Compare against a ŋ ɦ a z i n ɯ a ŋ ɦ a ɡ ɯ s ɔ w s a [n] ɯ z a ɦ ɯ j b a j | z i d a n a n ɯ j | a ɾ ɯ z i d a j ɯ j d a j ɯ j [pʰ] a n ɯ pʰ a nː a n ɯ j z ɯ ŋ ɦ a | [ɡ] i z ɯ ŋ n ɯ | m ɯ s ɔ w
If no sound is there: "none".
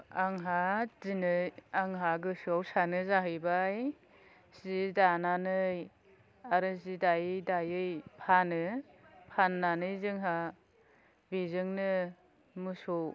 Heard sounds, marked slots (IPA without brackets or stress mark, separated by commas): n, pʰ, b